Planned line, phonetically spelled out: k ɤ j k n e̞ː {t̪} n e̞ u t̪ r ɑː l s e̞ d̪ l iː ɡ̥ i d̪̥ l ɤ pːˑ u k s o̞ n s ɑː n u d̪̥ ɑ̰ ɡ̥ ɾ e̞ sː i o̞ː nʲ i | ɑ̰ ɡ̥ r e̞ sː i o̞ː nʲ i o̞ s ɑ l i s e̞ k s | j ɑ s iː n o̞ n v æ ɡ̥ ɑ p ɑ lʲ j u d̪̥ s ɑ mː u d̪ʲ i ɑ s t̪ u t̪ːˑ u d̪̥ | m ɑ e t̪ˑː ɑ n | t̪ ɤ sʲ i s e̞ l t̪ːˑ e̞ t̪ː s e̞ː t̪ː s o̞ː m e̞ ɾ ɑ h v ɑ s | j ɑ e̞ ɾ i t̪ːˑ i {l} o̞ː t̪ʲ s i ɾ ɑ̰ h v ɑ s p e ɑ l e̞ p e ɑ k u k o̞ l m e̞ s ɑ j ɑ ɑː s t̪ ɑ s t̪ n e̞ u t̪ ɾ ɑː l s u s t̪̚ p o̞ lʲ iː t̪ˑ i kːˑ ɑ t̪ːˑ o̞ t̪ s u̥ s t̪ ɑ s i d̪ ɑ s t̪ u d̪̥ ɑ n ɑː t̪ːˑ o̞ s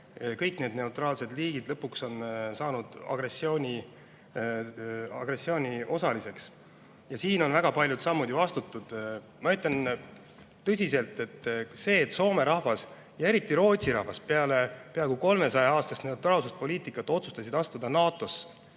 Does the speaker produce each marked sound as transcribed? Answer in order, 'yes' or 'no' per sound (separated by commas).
no, no